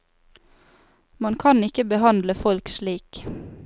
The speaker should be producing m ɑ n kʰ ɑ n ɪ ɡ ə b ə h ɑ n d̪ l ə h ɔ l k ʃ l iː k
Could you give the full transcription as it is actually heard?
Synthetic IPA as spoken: m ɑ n kʰ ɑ n ɪ k ə b ə h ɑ n d̪ l ə f ɔ l k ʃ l iː k